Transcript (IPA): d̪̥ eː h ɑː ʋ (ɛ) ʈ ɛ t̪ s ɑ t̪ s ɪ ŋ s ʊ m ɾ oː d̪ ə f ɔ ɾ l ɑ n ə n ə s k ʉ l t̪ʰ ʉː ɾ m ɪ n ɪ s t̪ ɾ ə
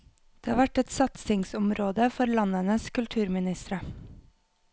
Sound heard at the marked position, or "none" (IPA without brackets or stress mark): æ